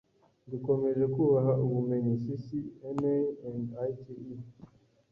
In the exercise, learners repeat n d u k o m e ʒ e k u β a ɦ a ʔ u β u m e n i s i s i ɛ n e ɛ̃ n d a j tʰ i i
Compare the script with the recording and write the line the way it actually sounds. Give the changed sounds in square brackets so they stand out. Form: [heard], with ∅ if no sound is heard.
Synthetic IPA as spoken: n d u k o m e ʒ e k u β a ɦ a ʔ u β u m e [ɲ] i s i s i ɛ n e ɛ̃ n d a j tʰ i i